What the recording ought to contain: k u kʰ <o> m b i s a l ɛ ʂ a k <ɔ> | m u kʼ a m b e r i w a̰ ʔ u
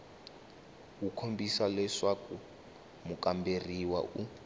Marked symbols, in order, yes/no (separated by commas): yes, no